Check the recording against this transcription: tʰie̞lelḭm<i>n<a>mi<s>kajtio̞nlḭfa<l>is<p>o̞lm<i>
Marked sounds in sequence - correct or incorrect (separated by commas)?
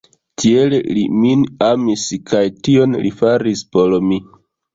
correct, correct, correct, incorrect, correct, correct